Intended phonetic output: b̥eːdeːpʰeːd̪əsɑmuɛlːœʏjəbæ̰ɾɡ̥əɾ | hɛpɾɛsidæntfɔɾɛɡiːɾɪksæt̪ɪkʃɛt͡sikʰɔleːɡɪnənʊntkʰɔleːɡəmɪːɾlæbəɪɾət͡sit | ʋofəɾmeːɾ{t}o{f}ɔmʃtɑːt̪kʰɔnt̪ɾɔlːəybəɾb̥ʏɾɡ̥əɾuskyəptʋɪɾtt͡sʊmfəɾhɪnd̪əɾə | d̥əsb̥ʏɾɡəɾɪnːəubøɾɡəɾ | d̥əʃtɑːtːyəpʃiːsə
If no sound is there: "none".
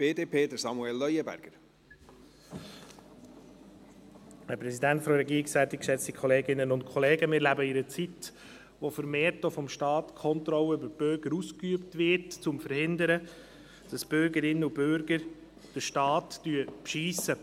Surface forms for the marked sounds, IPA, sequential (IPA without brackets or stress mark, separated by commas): t, f